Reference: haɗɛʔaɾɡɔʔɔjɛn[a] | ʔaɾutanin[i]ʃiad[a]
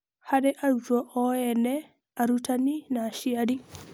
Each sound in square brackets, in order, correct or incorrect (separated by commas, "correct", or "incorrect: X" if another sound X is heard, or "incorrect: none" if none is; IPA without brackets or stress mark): incorrect: ɛ, incorrect: a, incorrect: i